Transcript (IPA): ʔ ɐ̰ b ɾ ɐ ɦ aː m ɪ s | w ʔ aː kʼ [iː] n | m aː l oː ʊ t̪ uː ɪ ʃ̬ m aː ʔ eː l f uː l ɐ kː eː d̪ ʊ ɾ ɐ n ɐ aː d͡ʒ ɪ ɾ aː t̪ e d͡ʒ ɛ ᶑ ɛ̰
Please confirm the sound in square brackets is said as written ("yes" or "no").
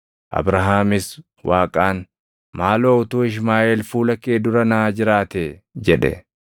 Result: no